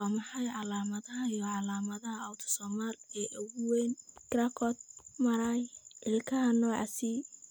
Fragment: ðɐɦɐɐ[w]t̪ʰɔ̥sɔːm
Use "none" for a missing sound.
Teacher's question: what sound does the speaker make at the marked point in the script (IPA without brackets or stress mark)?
w